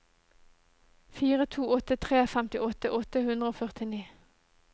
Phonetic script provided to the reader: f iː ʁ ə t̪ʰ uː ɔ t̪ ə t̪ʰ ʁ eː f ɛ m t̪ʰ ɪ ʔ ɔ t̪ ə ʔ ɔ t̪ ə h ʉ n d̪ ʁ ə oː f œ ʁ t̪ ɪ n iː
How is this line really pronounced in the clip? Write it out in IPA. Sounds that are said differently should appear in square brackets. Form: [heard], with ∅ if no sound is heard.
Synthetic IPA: f iː ʁ ə t̪ʰ uː ɔ t̪ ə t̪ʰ ʁ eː f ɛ m [t̪] ɪ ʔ ɔ t̪ ə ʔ ɔ t̪ ə h ʉ n d̪ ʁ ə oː f œ ʁ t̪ ɪ n iː